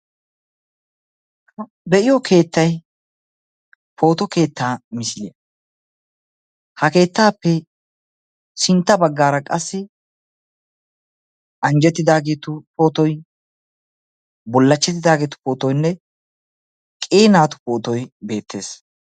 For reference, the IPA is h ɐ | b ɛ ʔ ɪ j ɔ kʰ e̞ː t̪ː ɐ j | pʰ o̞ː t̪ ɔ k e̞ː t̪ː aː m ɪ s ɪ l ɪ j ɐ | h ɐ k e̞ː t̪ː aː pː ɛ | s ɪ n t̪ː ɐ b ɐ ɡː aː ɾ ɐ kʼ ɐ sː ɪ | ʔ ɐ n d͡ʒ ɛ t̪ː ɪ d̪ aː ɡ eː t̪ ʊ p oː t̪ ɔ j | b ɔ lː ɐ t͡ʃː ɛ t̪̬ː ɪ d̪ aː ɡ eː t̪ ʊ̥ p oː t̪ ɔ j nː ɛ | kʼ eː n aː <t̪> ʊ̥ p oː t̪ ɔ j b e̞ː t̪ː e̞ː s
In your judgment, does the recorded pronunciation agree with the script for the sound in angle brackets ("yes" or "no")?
yes